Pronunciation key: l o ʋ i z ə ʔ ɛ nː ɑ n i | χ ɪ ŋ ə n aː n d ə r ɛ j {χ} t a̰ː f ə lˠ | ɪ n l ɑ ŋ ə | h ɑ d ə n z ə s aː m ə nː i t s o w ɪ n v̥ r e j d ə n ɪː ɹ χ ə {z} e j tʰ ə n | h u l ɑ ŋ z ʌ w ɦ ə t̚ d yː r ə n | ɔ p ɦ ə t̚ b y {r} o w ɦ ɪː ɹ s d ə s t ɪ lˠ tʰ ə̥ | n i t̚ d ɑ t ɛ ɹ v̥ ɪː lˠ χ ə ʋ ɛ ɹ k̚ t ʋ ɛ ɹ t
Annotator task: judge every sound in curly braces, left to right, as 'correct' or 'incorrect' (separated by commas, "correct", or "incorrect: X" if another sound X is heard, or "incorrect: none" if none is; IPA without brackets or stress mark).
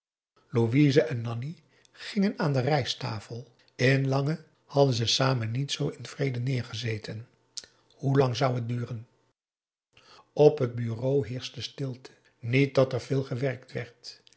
incorrect: s, correct, correct